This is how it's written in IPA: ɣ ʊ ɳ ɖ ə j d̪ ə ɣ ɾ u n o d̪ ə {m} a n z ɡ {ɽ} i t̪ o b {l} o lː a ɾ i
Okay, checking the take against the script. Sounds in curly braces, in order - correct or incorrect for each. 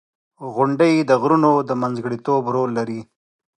correct, correct, incorrect

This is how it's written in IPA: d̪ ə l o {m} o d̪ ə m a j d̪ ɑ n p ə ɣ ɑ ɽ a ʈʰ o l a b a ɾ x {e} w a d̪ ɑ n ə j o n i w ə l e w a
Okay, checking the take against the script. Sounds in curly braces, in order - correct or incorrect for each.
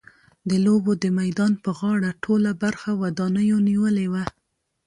incorrect, incorrect

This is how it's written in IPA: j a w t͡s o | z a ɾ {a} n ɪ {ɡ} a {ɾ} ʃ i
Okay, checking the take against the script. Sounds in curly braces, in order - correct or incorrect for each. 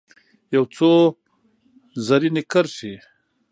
incorrect, incorrect, correct

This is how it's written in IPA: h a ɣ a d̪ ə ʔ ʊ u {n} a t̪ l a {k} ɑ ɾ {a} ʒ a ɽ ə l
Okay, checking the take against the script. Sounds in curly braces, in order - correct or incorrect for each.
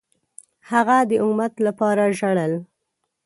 incorrect, incorrect, correct

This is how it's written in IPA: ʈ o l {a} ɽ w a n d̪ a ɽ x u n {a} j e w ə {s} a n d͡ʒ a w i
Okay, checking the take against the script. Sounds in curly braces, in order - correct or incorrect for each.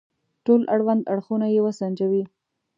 correct, correct, correct

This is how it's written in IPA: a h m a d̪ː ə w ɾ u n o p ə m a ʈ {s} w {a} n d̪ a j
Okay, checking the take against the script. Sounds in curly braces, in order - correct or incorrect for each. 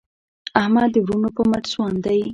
correct, incorrect

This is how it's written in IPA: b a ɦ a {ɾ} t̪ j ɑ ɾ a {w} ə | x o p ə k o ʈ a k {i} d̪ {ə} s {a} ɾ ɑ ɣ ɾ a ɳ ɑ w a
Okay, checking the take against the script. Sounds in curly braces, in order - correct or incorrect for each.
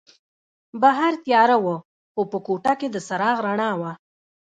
correct, correct, incorrect, correct, correct

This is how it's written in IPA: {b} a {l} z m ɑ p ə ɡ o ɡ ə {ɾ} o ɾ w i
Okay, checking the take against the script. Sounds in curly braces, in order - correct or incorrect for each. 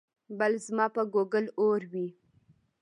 correct, correct, incorrect

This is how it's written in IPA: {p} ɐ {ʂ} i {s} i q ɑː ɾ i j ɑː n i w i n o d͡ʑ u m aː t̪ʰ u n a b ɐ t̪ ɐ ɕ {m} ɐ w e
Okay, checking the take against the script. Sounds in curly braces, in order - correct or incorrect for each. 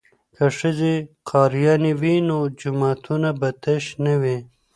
incorrect, correct, incorrect, incorrect

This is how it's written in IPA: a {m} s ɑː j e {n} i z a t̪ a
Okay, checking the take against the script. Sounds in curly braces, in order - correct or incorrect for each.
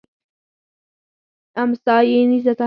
correct, correct

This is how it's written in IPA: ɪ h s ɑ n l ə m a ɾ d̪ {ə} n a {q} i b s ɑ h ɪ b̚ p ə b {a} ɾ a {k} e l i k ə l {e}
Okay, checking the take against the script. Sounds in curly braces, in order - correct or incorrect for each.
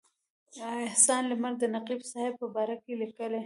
correct, correct, incorrect, correct, correct

